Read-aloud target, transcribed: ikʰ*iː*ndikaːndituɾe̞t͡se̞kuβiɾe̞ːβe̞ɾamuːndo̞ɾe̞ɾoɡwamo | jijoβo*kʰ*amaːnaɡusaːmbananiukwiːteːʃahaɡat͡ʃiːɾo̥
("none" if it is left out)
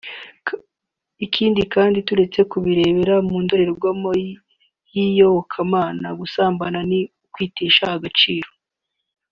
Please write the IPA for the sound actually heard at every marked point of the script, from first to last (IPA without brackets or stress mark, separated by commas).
iː, kʰ